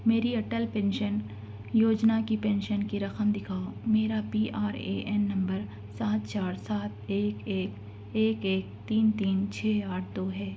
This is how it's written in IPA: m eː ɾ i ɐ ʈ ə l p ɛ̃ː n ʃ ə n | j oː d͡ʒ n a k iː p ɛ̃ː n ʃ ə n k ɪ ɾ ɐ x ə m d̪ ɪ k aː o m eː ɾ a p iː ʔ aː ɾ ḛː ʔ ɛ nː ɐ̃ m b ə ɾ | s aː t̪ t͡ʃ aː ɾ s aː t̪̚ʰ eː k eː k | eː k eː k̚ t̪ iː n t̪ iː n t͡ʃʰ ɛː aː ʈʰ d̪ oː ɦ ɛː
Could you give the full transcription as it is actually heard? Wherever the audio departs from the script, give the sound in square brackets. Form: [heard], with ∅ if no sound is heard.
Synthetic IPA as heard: m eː ɾ i ɐ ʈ ə l p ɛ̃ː n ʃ ə n | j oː d͡ʒ n a k [i] p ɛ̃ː n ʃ ə n k [i] ɾ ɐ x ə m d̪ ɪ [kʰ] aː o m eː ɾ a p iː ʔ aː ɾ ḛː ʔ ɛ nː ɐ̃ m b ə ɾ | s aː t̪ t͡ʃ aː ɾ s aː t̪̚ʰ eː k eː k | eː k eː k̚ t̪ iː n t̪ iː n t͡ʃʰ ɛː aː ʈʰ d̪ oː ɦ ɛː